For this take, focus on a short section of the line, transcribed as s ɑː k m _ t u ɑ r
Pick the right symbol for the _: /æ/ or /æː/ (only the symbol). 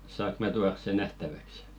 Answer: æ